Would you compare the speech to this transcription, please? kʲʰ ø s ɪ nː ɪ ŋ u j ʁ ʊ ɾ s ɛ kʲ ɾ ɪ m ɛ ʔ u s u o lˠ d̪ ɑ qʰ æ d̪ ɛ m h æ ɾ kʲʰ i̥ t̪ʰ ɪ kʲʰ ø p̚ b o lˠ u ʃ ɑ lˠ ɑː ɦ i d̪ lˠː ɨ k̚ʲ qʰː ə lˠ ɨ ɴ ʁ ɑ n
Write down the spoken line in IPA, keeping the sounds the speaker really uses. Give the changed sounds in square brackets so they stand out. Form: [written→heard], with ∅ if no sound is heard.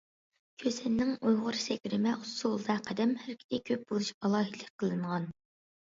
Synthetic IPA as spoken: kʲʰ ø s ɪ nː ɪ ŋ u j ʁ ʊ ɾ s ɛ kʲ ɾ ɪ m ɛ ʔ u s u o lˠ d̪ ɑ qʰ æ d̪ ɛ m h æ ɾ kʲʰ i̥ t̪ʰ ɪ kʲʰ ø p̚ b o lˠ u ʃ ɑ lˠ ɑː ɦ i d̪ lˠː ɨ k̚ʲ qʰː ə lˠ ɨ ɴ ʁ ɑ n